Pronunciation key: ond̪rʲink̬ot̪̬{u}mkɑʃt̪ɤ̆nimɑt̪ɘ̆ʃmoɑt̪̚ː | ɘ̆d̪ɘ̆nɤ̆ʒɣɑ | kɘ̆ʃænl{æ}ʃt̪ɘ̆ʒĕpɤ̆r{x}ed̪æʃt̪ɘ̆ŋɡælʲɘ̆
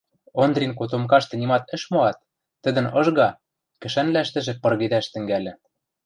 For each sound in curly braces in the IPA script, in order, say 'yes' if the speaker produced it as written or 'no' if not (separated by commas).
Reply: no, yes, no